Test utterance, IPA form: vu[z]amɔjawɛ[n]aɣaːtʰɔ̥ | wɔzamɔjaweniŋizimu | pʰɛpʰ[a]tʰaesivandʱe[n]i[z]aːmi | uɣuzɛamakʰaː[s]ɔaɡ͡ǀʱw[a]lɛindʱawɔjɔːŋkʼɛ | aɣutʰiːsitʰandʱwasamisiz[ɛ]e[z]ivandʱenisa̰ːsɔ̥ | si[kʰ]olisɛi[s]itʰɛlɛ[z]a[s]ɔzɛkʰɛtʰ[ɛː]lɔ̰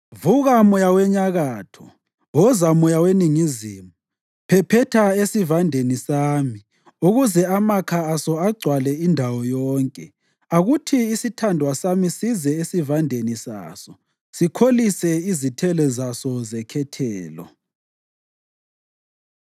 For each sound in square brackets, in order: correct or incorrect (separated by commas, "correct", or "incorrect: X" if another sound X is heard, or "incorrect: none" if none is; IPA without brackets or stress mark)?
incorrect: ɣ, incorrect: ɲ, incorrect: ɛ, correct, incorrect: s, correct, correct, correct, incorrect: s, correct, incorrect: z, correct, correct, correct